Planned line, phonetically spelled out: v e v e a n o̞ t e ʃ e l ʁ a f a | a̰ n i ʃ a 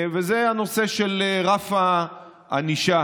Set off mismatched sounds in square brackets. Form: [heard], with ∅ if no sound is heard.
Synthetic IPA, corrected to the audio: v e [z] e a n o̞ [s] e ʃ e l ʁ a f a | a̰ n i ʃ a